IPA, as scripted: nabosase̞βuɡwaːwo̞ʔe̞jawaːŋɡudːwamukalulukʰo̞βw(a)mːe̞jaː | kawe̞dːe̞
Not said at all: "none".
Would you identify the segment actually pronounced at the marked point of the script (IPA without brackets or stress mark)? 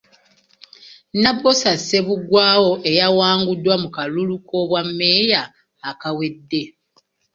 a